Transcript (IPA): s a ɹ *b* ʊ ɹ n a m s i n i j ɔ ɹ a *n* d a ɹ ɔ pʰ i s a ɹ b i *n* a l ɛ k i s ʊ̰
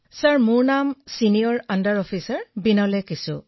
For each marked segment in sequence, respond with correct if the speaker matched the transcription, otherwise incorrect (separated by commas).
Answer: incorrect, correct, correct